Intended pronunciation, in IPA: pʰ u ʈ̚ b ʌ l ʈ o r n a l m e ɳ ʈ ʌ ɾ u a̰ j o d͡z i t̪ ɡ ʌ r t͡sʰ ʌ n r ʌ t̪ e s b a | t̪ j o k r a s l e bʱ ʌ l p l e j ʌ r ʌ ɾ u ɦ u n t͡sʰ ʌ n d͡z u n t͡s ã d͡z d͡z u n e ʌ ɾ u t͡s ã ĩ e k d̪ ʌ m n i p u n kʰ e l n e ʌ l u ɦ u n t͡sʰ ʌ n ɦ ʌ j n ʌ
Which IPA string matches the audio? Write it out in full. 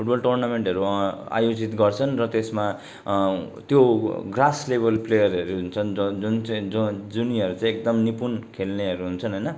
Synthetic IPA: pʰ u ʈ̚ b ʌ l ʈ o r n a m e ɳ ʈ ʌ ɾ u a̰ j o d͡z i t̪ ɡ ʌ r t͡sʰ ʌ n r ʌ t̪ e s m a | t̪ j o ɡ r a s l e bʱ ʌ l p l e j ʌ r ʌ ɾ u ɦ u n t͡sʰ ʌ n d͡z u n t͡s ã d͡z d͡z u n i ʌ ɾ u t͡s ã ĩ e k d̪ ʌ m n i p u n kʰ e l n e ʌ ɾ u ɦ u n t͡sʰ ʌ n ɦ ʌ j n ʌ